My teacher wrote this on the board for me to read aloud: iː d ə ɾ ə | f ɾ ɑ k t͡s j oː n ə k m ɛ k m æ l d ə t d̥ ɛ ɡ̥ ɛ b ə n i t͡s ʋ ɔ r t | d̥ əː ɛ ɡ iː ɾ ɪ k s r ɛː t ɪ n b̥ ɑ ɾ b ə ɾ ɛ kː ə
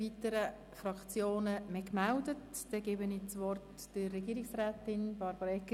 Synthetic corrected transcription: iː t ə ɾ ə | f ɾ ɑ k t͡s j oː n ə m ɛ k m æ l d ə t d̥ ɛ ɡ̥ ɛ b ə n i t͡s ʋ ɔ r t | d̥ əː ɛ ɡ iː ɾ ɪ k s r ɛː t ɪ n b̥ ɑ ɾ b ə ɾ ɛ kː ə